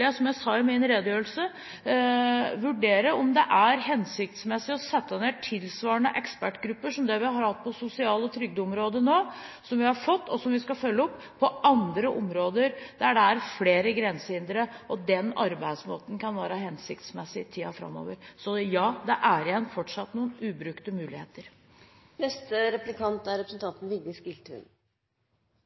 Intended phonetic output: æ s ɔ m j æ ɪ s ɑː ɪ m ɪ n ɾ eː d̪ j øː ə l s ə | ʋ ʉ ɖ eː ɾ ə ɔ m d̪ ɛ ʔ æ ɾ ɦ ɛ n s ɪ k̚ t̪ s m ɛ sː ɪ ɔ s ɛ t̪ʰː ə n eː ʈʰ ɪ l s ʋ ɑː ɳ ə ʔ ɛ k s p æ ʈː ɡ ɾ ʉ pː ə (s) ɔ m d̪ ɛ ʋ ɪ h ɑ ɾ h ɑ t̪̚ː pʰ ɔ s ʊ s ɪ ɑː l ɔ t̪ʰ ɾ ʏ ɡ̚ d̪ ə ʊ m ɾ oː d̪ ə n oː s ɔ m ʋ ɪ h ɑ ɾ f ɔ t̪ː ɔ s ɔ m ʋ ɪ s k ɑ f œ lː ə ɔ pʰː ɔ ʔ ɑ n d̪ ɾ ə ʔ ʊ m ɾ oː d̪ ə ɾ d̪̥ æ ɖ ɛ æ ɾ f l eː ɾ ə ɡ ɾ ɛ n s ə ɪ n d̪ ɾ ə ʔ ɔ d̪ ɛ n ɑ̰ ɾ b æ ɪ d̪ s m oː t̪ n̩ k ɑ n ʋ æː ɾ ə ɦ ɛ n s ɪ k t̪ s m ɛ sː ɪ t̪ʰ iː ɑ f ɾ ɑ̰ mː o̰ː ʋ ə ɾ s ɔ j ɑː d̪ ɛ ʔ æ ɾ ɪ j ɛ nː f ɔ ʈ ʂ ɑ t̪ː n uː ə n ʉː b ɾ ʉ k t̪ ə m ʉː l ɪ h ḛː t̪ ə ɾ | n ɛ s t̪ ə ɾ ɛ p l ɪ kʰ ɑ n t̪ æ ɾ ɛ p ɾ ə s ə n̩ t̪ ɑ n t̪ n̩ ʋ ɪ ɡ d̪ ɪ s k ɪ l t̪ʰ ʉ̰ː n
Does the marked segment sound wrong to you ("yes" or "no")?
yes